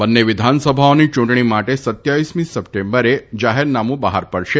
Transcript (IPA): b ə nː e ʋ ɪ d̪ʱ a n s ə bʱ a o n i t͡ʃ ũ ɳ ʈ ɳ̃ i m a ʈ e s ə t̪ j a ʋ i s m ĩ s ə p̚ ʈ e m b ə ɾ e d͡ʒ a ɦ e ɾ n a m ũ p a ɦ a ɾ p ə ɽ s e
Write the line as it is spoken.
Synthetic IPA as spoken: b ə nː e ʋ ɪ d̪ʱ a n s ə bʱ a o n i t͡ʃ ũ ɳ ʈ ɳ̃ i m a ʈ e s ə t̪ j a ʋ i s m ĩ s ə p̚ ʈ e m b ə ɾ e d͡ʒ a ɦ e ɾ n a m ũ b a ɦ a ɾ p ə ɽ ʃ e